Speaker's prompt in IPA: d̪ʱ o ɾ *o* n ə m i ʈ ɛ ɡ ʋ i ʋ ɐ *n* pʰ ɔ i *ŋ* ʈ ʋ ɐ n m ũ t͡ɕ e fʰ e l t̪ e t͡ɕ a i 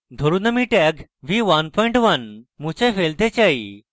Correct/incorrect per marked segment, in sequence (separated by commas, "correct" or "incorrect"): incorrect, correct, incorrect